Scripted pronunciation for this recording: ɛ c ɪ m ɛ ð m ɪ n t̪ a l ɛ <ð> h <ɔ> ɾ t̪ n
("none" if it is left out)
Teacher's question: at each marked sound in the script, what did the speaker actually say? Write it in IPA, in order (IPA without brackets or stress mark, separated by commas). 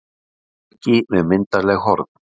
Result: ɣ, ɔ